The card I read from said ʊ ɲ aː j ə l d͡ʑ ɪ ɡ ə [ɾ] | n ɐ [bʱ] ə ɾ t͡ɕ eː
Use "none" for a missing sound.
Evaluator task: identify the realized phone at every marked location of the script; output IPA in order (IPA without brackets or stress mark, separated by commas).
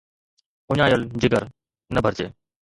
ɾ, bʱ